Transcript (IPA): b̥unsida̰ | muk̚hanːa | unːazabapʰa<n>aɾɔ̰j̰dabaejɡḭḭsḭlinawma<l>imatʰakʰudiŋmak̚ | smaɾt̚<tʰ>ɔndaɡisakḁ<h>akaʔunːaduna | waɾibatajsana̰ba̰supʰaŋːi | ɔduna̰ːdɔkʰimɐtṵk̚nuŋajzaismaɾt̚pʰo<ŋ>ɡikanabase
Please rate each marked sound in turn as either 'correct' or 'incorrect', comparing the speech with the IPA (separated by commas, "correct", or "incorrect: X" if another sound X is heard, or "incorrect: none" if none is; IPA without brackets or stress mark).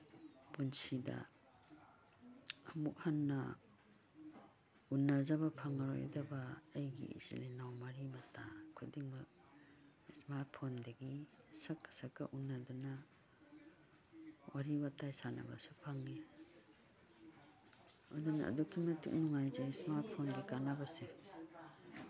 incorrect: ŋ, incorrect: ɾ, incorrect: pʰ, incorrect: s, incorrect: n